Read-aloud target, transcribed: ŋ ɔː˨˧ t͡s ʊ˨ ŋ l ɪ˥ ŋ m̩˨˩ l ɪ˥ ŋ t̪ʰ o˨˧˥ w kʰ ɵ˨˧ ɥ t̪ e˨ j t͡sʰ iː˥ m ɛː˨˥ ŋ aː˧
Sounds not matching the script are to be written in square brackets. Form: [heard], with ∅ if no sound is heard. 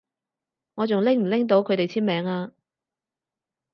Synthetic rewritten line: ŋ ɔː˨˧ t͡s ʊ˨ ŋ l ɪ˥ ŋ m̩˨˩ l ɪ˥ ŋ [t̪] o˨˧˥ w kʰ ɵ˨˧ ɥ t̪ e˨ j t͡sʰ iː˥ m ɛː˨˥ ŋ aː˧